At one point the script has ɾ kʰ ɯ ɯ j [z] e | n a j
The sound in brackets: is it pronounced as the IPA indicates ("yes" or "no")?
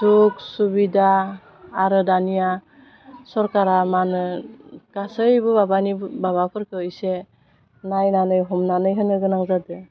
no